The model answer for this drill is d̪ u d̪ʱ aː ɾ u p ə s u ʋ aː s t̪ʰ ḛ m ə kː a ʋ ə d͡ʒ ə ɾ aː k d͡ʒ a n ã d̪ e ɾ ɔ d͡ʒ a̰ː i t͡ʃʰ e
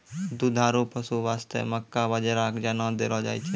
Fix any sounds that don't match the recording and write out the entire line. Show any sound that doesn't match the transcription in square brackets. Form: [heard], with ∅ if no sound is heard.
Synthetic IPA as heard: d̪ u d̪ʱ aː ɾ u p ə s u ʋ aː s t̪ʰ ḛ m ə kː a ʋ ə d͡ʒ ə ɾ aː k d͡ʒ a n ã d̪ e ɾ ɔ d͡ʒ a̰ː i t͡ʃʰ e